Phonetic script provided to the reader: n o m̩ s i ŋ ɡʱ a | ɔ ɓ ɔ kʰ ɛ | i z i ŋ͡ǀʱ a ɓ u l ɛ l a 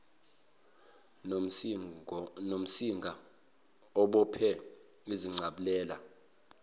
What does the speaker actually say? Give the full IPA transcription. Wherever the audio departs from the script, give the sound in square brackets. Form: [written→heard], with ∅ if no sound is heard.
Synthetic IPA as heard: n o m̩ s i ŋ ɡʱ a | ɔ ɓ ɔ [kʰ→pʰ] ɛ | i z i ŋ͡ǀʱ a ɓ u l [ɛ→ɛː] l a

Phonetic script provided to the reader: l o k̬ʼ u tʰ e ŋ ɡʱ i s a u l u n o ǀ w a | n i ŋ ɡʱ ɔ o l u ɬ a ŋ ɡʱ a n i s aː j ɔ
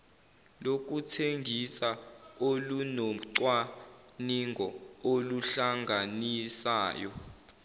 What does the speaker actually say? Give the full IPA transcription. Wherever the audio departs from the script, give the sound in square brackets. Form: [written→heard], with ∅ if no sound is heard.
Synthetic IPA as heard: l o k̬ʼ u tʰ e ŋ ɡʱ i s a [u→o] l u n o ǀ w a | n i ŋ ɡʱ ɔ o l u ɬ a ŋ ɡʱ a n i s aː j ɔ

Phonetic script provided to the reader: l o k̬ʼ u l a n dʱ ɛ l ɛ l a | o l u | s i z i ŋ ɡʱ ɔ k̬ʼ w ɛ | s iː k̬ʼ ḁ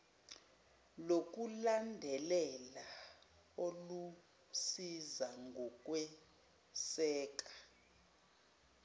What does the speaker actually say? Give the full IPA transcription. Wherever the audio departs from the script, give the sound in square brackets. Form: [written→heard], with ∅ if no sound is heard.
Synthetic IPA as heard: l o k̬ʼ u l a n dʱ ɛ l ɛ l a | o l u | s i z [i→a] ŋ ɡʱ ɔ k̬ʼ w ɛ | s [iː→ɛː] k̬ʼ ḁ

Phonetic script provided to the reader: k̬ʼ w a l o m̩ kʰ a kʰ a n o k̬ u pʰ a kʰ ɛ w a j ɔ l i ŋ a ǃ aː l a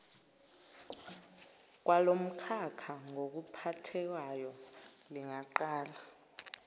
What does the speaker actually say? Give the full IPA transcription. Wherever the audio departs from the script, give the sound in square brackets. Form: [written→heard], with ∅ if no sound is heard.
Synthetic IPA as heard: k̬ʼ w a l o m̩ kʰ a kʰ a [n→ŋ] o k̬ u pʰ a [kʰ→tʰ] ɛ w a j ɔ l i ŋ a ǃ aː l a

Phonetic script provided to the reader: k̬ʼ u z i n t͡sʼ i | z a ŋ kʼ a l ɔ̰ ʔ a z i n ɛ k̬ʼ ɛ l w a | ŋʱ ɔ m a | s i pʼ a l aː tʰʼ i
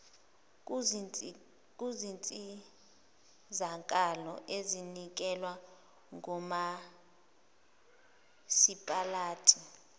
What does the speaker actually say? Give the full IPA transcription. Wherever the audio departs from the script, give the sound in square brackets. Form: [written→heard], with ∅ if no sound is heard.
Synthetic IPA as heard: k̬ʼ u z i n t͡sʼ i | z a ŋ kʼ a l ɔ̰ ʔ [a→e] z i n [ɛ→i] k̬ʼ ɛ l w a | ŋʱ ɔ m a | s i pʼ a l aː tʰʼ i

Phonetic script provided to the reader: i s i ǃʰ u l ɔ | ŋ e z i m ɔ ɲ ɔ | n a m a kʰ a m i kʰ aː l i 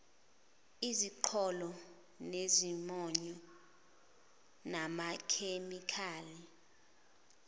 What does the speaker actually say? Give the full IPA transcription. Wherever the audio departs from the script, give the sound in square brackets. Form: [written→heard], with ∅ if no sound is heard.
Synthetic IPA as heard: i [s→z] i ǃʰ [u→ɔ] l ɔ | [ŋ→n] e z i m ɔ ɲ ɔ | n a m a kʰ [a→e] m i kʰ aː l i

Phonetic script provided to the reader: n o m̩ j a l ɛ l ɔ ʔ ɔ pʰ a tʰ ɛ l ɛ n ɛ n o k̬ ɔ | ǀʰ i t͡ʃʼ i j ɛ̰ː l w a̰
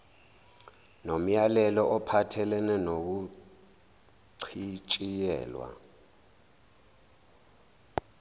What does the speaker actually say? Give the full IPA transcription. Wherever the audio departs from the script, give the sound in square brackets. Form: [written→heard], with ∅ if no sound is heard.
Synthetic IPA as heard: n o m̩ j a l ɛ l ɔ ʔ ɔ pʰ a tʰ ɛ l ɛ n ɛ n o k̬ [ɔ→u] | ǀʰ i t͡ʃʼ i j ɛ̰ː l w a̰

